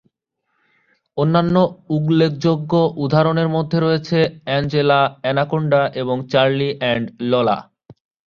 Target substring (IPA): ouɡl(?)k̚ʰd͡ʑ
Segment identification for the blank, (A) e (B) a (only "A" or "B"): A